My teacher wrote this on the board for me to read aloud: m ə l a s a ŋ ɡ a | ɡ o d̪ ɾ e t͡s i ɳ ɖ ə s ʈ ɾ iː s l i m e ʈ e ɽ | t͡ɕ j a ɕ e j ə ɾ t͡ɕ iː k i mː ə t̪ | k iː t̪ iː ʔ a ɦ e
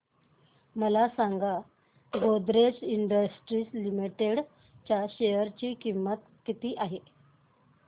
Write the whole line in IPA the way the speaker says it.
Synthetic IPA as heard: m ə l a s a ŋ ɡ a | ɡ o d̪ ɾ e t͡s i ɳ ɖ ə s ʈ ɾ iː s l i m i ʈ e ɽ | t͡ɕ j a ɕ e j ə ɾ t͡ɕ iː k i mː ə t̪ | k i t̪ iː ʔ a ɦ e